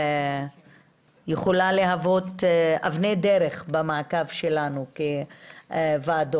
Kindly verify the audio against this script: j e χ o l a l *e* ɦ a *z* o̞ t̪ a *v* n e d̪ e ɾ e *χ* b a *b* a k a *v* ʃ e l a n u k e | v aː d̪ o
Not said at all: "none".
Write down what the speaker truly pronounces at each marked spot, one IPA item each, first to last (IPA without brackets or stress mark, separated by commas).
e, v, v, χ, m, v